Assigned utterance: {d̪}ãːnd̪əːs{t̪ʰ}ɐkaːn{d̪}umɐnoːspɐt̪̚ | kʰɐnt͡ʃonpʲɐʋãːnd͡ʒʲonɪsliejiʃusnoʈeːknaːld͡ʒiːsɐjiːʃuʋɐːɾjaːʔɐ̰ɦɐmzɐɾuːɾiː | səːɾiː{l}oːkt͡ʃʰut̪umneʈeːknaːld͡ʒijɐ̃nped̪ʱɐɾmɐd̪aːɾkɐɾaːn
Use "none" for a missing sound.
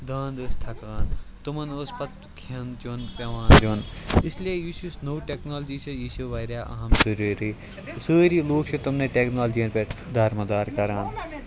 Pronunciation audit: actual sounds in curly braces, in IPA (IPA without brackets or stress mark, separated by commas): d̪, t̪ʰ, t̪, l